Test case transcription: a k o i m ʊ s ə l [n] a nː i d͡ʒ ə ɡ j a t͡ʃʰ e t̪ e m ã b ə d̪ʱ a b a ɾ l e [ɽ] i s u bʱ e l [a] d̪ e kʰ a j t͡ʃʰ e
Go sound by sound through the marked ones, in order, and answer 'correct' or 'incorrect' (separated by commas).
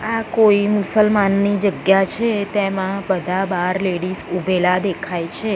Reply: incorrect, correct, correct